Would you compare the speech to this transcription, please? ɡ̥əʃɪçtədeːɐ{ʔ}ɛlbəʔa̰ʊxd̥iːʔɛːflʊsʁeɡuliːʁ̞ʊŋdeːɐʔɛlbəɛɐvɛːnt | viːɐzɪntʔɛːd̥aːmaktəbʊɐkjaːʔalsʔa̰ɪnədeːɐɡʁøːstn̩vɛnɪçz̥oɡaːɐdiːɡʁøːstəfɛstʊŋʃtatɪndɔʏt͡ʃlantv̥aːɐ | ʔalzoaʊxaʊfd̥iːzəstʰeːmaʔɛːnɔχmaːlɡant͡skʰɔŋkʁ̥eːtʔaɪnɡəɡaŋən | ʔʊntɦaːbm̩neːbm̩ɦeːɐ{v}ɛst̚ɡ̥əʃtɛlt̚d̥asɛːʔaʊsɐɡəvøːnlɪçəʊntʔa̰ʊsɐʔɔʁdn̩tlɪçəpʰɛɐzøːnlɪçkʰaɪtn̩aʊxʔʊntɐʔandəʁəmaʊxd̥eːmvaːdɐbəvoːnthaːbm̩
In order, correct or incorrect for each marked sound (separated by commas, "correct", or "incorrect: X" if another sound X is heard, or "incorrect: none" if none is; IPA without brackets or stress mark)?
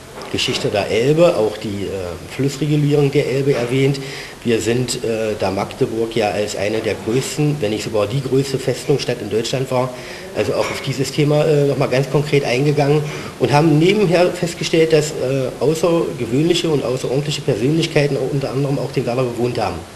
correct, incorrect: f